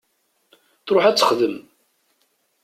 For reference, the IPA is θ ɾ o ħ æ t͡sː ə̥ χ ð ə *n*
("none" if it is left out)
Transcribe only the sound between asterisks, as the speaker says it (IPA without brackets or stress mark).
m